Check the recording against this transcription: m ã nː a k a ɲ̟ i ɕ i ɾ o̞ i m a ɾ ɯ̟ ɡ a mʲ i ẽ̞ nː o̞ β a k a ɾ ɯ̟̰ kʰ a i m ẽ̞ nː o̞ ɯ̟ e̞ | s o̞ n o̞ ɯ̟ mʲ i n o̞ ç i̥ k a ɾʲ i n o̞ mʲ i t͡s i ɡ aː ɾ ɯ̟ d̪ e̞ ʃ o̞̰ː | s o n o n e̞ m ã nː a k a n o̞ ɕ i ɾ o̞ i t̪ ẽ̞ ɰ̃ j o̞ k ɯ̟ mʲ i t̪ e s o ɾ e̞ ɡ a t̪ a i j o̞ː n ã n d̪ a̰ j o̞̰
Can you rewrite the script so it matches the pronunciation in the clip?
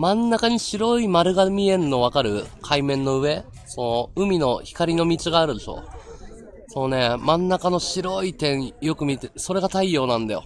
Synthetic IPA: m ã nː a k a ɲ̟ i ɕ i ɾ o̞ i m a ɾ ɯ̟ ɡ a mʲ i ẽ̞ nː o̞ β a k a ɾ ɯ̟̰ kʰ a i m ẽ̞ nː o̞ ɯ̟ e̞ | s o̞ n o̞ ɯ̟ mʲ i n o̞ ç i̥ k a ɾʲ i n o̞ mʲ i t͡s i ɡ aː ɾ ɯ̟ d̪ e̞ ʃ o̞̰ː | s o n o n e̞ m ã nː a k a n o̞ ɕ i ɾ o̞ i t̪ ẽ̞ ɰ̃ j o̞ k ɯ̟ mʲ i t̪ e s o ɾ e̞ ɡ a t̪ a i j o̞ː n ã n d̪ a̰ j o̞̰